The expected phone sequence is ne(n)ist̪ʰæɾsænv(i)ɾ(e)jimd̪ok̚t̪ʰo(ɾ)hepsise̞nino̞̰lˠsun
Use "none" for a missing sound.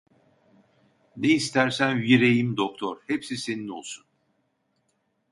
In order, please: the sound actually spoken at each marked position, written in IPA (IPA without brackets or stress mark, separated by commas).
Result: none, i, e, ɾ